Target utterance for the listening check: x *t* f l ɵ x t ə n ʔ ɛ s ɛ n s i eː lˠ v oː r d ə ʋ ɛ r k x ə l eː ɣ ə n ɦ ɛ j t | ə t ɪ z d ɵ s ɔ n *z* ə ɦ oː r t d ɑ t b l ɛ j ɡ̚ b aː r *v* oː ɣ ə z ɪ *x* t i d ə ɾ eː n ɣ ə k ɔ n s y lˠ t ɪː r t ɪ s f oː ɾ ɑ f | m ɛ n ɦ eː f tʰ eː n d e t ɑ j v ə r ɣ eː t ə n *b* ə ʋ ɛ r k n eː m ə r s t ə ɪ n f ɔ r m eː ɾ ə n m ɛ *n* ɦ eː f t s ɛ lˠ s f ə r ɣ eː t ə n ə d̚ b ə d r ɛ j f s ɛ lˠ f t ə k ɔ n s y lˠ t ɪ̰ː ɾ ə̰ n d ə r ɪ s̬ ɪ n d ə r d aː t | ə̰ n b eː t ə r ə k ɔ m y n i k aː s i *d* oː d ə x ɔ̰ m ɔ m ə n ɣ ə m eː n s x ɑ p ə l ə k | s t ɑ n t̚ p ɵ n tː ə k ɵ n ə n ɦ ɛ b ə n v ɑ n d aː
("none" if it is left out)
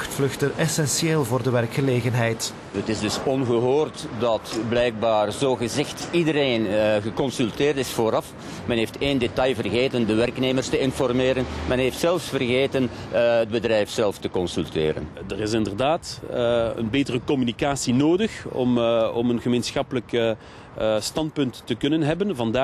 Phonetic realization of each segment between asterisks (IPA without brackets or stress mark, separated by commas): t, ɣ, z, x, d, n, n